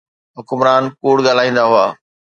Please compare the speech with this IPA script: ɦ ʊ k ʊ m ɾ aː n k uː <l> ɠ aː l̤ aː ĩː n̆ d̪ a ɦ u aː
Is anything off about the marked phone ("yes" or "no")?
yes